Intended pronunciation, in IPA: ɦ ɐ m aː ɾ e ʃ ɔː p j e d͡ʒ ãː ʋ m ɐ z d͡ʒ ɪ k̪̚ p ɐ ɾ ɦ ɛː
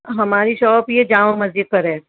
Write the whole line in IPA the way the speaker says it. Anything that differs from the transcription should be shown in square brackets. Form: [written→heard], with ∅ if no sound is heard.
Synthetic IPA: ɦ ɐ m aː ɾ [e→i] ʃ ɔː p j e d͡ʒ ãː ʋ m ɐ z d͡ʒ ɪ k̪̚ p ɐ ɾ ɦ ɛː